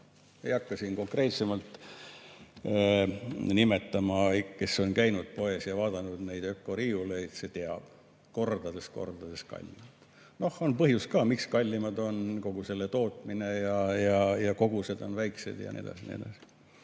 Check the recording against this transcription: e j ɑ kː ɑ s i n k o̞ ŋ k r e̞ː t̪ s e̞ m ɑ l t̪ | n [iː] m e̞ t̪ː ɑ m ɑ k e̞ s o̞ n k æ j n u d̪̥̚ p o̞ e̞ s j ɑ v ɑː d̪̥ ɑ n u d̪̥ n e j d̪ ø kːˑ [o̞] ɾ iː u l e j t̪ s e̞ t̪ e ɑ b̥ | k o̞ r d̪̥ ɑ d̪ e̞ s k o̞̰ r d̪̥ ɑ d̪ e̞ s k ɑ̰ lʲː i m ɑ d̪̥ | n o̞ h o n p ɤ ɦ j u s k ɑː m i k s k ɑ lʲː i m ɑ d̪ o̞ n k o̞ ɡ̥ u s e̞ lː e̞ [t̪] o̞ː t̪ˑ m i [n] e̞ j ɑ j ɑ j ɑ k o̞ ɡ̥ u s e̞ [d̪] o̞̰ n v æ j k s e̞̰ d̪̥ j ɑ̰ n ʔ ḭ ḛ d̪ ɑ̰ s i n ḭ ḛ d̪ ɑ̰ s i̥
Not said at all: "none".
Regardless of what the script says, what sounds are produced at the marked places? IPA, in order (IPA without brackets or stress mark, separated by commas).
i, o̞, t̪, n, d̪